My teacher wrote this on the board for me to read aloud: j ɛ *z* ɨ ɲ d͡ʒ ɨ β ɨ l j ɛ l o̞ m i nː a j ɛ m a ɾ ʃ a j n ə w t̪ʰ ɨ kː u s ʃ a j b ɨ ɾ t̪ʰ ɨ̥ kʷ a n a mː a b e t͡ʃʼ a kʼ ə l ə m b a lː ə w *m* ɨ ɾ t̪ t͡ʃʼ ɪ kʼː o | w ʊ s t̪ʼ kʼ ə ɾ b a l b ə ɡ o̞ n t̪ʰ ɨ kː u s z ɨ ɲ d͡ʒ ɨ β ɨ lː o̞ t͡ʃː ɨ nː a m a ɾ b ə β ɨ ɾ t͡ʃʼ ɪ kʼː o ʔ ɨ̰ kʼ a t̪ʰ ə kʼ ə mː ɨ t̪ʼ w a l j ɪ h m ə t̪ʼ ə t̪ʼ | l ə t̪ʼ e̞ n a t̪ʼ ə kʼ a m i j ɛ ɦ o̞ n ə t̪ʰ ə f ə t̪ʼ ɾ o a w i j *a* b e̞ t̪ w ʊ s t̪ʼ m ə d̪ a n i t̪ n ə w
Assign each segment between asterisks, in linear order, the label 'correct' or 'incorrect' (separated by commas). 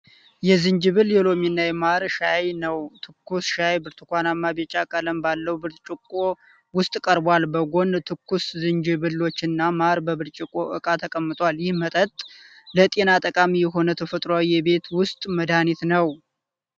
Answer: correct, incorrect, incorrect